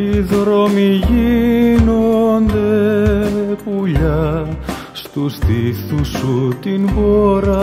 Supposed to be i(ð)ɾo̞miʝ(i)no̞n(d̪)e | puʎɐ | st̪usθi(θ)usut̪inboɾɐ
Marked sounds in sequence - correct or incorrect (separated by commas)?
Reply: correct, correct, correct, correct